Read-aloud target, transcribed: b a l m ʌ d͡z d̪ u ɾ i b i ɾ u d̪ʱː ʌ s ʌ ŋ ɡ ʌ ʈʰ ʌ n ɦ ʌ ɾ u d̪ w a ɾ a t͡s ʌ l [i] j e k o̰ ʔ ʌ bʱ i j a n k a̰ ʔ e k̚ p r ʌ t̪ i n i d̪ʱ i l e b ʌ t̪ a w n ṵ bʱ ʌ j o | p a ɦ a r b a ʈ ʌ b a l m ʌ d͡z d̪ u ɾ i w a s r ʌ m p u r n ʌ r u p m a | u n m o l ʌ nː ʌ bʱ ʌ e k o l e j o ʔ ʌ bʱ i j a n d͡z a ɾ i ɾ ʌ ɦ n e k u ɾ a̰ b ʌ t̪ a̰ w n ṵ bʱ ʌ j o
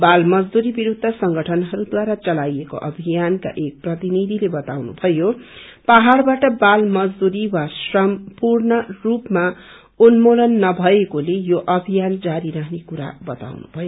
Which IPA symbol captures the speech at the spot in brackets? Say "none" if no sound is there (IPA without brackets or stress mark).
a